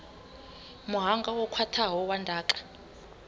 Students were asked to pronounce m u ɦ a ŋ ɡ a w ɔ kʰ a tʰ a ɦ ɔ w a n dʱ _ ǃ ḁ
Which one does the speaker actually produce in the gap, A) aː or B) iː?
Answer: A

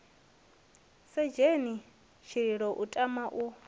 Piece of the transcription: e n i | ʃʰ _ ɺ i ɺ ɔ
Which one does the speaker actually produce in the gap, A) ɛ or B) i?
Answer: B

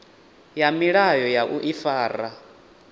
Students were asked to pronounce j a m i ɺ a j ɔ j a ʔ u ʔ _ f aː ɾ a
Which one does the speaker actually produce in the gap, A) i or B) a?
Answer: A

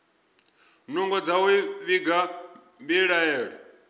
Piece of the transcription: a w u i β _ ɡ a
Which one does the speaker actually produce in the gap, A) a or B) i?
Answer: B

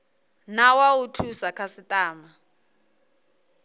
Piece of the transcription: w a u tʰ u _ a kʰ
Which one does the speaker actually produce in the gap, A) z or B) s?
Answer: B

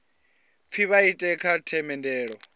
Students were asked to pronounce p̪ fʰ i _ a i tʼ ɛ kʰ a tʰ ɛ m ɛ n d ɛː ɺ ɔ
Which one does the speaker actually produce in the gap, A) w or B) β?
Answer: B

